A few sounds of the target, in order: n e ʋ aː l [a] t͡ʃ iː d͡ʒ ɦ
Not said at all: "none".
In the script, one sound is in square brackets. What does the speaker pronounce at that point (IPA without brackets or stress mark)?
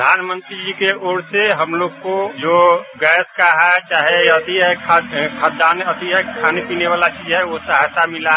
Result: a